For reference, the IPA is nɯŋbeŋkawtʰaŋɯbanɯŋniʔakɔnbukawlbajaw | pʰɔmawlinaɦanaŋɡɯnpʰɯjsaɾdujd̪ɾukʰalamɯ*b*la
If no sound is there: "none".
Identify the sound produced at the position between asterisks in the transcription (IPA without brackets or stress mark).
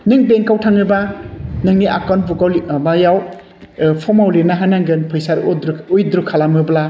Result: b